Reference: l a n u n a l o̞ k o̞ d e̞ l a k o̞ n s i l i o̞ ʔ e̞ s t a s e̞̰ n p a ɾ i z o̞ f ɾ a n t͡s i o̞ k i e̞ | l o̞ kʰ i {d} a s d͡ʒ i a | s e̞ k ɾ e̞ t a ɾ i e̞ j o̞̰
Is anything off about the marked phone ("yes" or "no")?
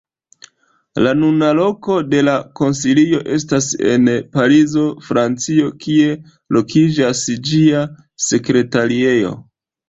yes